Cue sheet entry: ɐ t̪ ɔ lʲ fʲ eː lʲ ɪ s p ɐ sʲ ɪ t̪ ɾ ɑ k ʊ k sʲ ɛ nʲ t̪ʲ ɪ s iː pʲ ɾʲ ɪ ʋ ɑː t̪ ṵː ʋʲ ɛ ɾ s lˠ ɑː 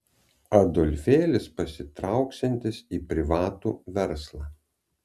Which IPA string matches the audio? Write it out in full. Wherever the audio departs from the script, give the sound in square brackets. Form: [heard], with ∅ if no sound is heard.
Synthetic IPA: ɐ [d̪] ɔ lʲ fʲ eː lʲ ɪ s p ɐ sʲ ɪ t̪ ɾ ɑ [∅] ʊ k sʲ ɛ nʲ t̪ʲ ɪ s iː pʲ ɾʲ ɪ ʋ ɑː t̪ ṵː ʋʲ ɛ ɾ s lˠ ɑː